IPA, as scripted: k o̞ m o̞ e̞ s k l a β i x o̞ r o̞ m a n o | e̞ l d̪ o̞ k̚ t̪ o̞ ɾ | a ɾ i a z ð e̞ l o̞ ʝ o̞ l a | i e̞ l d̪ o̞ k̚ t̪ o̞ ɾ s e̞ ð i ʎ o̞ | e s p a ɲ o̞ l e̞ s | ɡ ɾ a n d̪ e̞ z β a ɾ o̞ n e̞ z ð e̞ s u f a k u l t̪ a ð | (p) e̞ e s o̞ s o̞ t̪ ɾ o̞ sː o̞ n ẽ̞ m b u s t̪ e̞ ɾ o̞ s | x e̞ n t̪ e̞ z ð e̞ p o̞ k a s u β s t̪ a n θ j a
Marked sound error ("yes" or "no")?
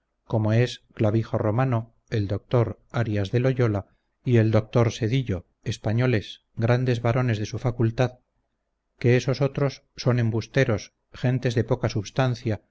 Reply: yes